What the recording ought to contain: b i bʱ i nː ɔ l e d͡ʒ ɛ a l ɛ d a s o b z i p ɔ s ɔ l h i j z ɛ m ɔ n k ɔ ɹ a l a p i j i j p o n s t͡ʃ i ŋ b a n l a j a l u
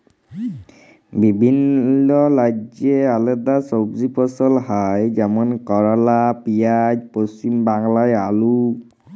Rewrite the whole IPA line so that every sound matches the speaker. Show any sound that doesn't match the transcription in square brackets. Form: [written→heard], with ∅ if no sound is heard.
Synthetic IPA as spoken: b i bʱ i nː ɔ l [e→a] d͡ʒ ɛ a l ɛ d a s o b z i p ɔ s ɔ l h [i→a] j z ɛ m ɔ n k ɔ ɹ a l a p i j [i→a] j p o [n→∅] s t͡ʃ i [ŋ→m] b a [n→ŋ] l a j a l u